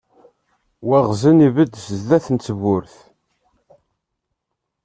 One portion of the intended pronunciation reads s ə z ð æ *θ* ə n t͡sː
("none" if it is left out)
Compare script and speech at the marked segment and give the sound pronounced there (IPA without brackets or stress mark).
θ